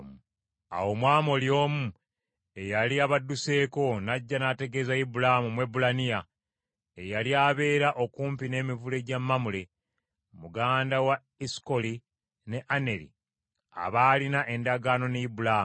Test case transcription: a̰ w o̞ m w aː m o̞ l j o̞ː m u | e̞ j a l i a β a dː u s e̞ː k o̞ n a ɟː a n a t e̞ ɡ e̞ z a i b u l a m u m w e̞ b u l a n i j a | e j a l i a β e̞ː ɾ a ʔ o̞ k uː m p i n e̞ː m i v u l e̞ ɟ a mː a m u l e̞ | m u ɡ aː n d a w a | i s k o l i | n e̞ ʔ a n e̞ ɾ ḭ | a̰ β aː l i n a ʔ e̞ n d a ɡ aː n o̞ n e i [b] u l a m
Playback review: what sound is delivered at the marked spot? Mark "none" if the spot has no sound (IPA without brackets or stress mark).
b